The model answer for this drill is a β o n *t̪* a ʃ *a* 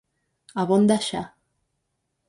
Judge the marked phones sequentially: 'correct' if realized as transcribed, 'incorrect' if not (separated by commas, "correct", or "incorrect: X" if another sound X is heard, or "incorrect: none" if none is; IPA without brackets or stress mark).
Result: incorrect: d̪, correct